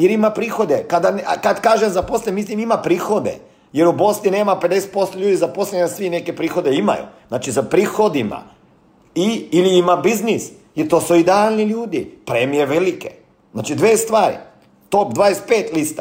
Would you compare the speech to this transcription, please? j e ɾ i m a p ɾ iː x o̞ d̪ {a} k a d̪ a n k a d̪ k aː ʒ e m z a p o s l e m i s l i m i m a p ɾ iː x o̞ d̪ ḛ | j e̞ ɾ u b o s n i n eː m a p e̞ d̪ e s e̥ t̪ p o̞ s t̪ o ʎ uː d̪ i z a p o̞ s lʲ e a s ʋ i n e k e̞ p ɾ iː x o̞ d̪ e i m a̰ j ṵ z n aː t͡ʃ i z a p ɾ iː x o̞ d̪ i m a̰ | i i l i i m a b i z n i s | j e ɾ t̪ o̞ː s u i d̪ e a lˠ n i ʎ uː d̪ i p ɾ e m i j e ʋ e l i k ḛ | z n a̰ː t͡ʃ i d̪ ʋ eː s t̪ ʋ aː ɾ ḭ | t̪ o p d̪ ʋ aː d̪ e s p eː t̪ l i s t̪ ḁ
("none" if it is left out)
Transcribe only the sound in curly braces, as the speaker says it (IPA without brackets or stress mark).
e